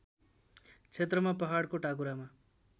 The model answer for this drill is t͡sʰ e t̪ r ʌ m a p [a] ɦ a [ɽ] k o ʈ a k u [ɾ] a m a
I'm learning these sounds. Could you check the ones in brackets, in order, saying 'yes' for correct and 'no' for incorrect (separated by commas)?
no, yes, yes